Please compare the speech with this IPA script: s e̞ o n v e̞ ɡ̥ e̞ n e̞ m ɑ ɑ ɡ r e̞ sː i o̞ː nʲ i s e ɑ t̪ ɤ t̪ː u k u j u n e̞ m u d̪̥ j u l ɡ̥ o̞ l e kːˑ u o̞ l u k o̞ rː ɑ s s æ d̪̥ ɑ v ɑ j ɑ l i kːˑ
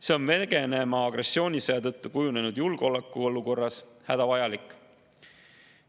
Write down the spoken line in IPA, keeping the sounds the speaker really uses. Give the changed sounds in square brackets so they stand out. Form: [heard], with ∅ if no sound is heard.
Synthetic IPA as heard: s e̞ o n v e̞ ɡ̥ e̞ n e̞ m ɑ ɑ ɡ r e̞ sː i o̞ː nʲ i s e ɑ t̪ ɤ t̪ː u k u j u n e̞ [n] u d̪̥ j u l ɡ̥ o̞ l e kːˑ u o̞ l u k o̞ rː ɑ s [h] æ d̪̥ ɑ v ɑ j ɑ l i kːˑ